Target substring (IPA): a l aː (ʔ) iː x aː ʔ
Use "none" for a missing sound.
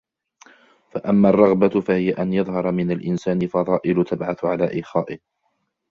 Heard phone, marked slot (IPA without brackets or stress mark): ʔ